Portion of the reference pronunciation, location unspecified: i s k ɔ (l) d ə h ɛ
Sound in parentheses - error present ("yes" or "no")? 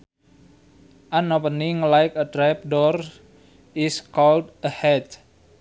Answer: no